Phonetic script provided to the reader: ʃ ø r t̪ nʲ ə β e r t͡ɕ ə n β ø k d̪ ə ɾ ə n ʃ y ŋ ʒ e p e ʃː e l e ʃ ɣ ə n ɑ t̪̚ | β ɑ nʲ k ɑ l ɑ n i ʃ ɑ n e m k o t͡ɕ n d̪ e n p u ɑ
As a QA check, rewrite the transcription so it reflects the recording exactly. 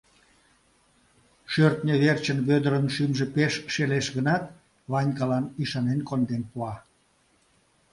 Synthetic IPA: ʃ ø r t̪ nʲ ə β e r t͡ɕ ə n β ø d̪ ə ɾ ə n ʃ y m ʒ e p e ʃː e l e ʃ ɣ ə n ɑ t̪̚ | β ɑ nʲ k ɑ l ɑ n i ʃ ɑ n e n k o n d̪ e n p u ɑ